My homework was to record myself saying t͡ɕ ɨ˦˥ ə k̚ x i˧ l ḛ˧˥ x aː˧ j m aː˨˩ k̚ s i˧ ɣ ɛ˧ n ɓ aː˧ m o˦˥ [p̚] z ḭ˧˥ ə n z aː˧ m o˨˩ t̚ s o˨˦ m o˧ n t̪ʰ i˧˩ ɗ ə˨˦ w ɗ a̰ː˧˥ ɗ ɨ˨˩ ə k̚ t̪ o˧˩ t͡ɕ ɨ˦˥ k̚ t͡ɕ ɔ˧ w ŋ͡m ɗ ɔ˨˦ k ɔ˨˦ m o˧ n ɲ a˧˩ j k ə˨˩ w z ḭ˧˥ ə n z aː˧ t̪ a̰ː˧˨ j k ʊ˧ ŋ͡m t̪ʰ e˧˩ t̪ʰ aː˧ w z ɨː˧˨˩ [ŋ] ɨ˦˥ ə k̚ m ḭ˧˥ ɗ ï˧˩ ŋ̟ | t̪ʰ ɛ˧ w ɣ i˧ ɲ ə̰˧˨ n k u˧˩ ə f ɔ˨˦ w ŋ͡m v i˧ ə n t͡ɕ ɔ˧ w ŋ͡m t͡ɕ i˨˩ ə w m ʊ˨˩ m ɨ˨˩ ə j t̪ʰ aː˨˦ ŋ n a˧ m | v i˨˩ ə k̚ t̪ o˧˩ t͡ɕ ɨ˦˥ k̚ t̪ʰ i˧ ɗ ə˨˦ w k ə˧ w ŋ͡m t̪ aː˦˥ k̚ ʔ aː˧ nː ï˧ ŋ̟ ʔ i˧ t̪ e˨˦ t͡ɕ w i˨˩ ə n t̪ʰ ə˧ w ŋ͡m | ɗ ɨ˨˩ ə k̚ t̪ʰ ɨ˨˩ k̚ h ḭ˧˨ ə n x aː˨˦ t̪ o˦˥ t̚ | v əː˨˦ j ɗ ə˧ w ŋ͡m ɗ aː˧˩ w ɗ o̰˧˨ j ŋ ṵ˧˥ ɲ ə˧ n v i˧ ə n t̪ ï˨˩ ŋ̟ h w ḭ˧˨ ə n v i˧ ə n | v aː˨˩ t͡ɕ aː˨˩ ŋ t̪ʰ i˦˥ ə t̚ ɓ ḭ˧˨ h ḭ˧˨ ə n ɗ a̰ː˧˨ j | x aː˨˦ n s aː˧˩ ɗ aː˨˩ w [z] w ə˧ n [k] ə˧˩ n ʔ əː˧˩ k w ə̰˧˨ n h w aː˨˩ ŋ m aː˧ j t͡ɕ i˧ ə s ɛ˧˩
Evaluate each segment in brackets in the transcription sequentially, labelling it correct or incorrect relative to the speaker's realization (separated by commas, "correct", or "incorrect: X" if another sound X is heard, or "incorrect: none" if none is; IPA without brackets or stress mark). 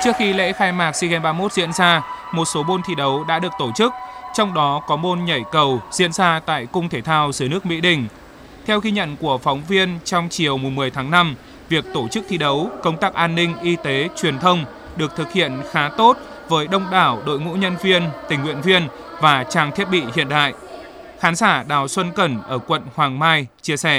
incorrect: t̚, incorrect: n, incorrect: s, correct